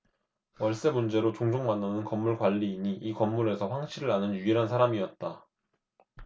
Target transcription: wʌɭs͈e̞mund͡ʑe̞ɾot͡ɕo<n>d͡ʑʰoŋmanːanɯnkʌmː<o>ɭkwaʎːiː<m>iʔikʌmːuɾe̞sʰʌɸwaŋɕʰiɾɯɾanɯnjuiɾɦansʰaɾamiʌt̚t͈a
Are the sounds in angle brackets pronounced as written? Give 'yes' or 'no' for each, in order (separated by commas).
no, no, no